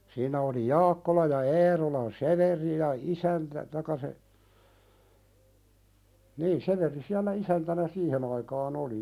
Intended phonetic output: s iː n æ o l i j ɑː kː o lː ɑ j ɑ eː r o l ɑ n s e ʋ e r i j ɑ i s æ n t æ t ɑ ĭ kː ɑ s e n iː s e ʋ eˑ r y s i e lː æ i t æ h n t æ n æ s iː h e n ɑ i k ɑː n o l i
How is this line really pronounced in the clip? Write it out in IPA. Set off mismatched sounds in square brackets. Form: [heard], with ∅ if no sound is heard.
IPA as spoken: s iː n æ o l i j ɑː kː o [l] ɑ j ɑ eː r o l ɑ n s e ʋ e r i j ɑ i s æ n t æ t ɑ ĭ kː ɑ s e n iː s e ʋ eˑ r [i] s i [æ] lː æ i [s] æ [∅] n t æ n æ s iː h e n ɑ i k ɑː n o l i